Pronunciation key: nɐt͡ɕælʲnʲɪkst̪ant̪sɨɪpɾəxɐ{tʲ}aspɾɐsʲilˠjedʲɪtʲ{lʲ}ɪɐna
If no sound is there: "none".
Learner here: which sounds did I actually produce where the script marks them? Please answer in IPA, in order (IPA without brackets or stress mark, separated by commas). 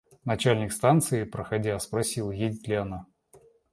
dʲ, lʲ